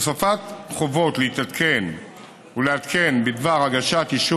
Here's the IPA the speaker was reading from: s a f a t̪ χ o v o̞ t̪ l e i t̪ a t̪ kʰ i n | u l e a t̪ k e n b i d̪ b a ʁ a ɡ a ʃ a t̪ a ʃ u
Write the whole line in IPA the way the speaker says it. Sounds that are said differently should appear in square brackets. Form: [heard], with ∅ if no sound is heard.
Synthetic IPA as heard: s a f a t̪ χ o v o̞ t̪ l e i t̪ a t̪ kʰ [e] n | u l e a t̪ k e n b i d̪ [v] a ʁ a ɡ a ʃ a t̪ [i] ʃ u